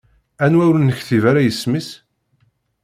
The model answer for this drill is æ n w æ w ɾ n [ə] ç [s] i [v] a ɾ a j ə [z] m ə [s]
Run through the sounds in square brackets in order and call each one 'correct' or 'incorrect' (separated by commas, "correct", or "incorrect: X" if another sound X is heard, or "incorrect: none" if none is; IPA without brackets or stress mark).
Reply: correct, incorrect: θ, correct, incorrect: s, correct